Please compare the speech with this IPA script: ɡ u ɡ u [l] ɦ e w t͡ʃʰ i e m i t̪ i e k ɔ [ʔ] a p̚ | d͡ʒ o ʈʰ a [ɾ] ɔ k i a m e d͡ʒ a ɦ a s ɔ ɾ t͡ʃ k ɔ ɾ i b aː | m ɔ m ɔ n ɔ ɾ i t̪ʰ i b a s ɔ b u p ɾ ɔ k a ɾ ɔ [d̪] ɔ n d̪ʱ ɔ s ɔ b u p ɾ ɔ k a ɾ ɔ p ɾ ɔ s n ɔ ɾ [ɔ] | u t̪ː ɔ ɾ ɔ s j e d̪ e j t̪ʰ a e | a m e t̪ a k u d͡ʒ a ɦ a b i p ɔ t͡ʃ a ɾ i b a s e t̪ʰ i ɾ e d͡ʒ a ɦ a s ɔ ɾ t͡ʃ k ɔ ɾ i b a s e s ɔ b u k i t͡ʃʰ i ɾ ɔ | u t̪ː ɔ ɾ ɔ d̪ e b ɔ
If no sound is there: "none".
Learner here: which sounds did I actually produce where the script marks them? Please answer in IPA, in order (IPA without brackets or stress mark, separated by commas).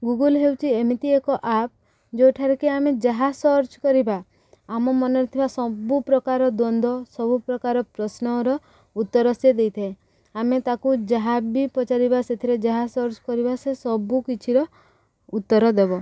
l, ʔ, ɾ, d̪, ɔ